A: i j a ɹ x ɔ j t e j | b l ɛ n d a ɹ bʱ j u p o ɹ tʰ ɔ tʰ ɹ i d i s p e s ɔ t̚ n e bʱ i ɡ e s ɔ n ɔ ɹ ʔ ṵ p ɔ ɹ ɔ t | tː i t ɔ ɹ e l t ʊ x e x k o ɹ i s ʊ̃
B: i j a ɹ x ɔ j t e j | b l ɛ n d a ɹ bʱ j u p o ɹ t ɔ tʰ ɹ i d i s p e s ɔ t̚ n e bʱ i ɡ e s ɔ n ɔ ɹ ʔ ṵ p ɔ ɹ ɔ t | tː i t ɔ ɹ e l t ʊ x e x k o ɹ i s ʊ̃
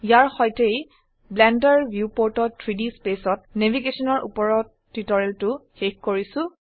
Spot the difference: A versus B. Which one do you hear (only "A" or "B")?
B